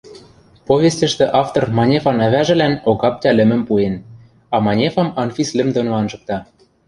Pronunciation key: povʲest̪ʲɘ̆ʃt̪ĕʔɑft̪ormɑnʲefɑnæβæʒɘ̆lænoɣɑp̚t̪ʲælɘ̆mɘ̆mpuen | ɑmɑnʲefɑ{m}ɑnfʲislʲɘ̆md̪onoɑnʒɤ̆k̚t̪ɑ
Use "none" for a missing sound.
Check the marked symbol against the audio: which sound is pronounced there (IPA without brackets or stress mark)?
m